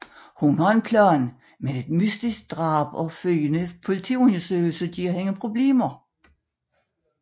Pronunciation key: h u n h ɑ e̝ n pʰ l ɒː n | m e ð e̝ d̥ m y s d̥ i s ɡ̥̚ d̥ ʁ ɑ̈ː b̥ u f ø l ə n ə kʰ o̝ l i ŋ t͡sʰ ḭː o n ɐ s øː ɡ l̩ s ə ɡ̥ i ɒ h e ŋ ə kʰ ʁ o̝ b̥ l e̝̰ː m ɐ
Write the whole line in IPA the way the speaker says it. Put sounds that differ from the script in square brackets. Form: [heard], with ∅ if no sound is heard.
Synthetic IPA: h u n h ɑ e̝ n pʰ l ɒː n | m e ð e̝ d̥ m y s d̥ i s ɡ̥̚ d̥ ʁ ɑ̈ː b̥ [ɒ] f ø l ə n ə [pʰ] o̝ l i [∅] t͡sʰ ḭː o n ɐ s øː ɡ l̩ s ə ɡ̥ i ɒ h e ŋ ə [pʰ] ʁ o̝ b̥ l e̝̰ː m ɐ